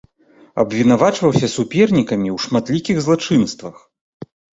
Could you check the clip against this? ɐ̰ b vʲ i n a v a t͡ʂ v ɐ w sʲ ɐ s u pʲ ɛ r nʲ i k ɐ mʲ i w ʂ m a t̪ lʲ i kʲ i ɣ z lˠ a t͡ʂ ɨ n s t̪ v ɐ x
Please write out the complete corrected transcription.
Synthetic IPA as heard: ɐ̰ b vʲ i n a v a t͡ʂ v ɐ w sʲ ɐ s u pʲ ɛ r nʲ i k ɐ mʲ i w ʂ m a t̪ lʲ i kʲ i ɣ z lˠ a t͡ʂ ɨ n s t̪ v ɐ x